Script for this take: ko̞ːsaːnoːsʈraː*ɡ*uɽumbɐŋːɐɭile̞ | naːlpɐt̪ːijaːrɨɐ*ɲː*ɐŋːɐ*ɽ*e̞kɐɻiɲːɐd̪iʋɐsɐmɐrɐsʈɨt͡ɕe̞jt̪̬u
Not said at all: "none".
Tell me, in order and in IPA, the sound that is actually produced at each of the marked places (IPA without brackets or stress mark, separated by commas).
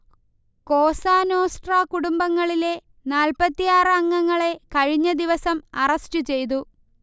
k, ŋː, ɭ